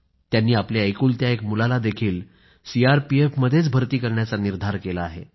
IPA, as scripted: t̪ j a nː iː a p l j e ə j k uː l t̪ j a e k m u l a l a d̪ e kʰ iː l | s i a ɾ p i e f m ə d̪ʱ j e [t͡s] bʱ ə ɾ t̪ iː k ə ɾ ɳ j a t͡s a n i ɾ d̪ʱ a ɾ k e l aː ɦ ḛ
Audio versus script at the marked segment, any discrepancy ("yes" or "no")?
no